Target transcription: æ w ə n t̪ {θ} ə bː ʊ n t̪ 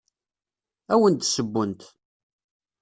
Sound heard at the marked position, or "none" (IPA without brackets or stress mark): s